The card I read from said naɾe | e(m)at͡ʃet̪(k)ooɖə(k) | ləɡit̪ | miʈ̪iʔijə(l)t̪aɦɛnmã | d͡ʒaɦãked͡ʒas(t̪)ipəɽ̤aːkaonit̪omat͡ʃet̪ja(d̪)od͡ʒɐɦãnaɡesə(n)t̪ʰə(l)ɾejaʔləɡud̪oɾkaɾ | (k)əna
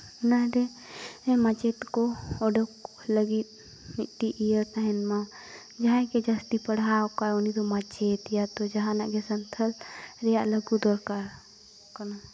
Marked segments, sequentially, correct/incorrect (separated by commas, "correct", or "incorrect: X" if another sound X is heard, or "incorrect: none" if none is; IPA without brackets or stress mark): correct, correct, correct, incorrect: ɾ, correct, incorrect: t̪, correct, correct, correct